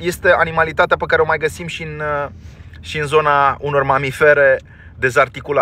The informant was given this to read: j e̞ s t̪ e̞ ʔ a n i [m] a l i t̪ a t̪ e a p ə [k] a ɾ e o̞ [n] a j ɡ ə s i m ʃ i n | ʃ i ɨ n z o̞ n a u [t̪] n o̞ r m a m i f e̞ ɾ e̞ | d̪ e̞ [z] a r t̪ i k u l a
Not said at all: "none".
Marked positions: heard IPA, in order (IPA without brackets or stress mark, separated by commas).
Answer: m, k, m, none, z